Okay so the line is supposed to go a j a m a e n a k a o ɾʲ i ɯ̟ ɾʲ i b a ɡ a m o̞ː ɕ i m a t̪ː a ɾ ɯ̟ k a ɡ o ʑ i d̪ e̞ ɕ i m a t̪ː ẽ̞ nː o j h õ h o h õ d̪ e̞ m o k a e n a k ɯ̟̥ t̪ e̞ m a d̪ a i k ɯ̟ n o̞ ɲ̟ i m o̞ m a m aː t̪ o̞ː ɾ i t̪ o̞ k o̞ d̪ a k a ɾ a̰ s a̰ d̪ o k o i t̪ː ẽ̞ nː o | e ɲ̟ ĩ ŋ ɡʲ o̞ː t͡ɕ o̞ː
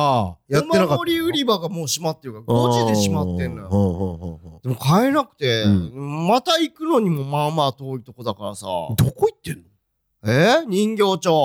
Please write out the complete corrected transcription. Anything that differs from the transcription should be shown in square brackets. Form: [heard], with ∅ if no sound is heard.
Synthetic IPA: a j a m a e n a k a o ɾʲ i ɯ̟ ɾʲ i b a ɡ a m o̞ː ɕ i m a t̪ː [e] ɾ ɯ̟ k a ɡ o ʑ i d̪ e̞ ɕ i m a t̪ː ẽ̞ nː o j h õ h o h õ d̪ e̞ m o k a e n a k ɯ̟̥ t̪ e̞ m a [t̪] a i k ɯ̟ n o̞ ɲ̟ i m o̞ m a m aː t̪ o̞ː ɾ i t̪ o̞ k o̞ d̪ a k a ɾ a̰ s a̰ d̪ o k o i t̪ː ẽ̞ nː o | e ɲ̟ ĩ ŋ ɡʲ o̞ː t͡ɕ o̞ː